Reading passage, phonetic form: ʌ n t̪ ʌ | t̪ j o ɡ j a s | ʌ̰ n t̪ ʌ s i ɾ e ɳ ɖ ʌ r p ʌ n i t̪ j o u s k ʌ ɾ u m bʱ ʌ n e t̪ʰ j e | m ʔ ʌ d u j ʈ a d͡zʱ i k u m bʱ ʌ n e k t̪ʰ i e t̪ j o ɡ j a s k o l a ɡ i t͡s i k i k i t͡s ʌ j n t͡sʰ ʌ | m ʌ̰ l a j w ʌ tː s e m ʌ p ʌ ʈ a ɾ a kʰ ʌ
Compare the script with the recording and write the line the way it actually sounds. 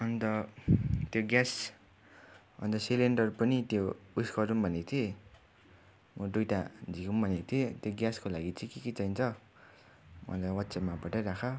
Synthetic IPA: ʌ n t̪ ʌ | t̪ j o ɡ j a s | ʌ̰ n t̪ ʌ s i l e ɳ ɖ ʌ r p ʌ n i t̪ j o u s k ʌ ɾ u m bʱ ʌ n e t̪ʰ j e | m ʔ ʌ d u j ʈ a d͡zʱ i k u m bʱ ʌ n e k t̪ʰ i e t̪ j o ɡ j a s k o l a ɡ i t͡s i k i k i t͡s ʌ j n t͡sʰ ʌ | m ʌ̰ l a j w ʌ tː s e m a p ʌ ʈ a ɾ a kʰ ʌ